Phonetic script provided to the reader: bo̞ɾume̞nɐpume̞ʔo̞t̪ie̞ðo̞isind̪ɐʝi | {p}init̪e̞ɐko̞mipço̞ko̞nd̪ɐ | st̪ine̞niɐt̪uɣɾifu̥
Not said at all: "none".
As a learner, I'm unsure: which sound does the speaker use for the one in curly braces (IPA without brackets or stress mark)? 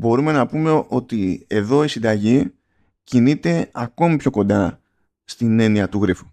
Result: c